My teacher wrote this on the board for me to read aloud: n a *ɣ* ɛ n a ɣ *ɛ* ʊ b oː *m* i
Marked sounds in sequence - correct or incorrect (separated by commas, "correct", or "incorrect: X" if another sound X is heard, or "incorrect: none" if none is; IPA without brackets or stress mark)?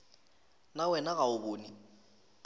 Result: incorrect: w, incorrect: a, incorrect: n